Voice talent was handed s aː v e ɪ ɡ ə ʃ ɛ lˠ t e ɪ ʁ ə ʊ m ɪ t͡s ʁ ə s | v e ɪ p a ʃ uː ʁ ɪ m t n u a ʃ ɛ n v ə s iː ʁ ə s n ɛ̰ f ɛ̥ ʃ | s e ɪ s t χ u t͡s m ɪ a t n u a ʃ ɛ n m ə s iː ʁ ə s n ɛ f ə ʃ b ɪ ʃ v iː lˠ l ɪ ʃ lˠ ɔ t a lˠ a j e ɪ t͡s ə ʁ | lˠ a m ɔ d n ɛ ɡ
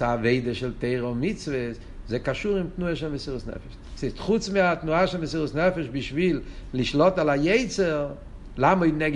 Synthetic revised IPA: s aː v e ɪ d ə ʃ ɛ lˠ t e ɪ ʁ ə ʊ m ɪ t͡s v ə s | z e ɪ k a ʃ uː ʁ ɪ m t n u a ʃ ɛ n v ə s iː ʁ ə s n ɛ̰ f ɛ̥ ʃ | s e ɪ s t χ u t͡s m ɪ a t n u a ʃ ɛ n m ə s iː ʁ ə s n ɛ f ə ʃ b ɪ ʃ v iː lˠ l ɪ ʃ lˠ ɔ t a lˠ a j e ɪ t͡s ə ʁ | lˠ a m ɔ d n ɛ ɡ